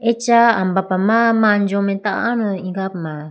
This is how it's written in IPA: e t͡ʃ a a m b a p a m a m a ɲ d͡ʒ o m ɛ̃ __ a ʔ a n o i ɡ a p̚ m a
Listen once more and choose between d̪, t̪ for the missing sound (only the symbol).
t̪